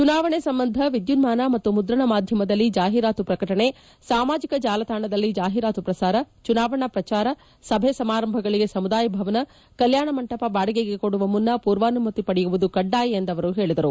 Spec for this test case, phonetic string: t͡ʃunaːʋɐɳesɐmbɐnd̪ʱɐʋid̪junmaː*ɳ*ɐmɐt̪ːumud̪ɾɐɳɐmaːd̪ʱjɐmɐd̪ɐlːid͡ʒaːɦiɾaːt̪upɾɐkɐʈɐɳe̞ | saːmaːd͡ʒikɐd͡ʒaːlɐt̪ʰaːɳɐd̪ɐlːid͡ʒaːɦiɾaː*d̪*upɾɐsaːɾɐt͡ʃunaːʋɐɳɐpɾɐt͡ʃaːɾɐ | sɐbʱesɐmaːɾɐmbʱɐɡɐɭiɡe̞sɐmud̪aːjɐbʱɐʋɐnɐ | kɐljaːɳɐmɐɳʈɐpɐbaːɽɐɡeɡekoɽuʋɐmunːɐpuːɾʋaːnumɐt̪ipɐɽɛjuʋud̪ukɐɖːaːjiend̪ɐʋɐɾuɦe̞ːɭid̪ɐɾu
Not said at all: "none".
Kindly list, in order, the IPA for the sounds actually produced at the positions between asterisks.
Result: n, t̪

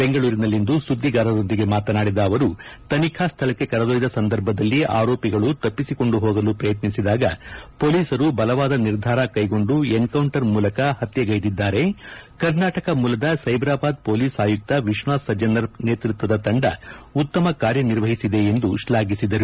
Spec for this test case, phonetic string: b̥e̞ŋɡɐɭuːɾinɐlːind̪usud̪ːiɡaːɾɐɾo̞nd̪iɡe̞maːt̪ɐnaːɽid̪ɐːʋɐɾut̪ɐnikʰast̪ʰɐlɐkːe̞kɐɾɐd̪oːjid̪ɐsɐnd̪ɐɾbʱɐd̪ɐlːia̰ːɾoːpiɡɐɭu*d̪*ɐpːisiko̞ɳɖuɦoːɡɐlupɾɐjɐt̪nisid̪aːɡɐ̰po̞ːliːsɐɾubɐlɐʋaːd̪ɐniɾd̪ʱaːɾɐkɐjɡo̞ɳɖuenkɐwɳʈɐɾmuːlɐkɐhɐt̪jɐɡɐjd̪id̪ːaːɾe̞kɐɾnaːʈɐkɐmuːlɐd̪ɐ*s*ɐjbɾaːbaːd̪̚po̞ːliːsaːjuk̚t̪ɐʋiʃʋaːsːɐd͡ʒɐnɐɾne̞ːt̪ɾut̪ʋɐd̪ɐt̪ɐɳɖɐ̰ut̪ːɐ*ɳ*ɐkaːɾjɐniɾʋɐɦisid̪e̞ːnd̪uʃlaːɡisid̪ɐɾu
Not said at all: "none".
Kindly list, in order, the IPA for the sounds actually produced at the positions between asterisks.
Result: t̪, s, m

